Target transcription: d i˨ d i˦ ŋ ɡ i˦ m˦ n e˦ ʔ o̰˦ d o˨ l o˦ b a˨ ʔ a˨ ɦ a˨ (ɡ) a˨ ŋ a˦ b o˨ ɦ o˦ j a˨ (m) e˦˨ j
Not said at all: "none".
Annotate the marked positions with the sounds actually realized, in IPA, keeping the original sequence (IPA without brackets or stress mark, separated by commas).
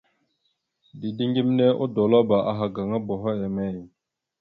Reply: ɡ, m